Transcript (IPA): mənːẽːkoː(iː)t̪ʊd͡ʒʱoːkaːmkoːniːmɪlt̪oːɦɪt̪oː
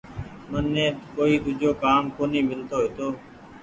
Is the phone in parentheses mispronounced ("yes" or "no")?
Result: no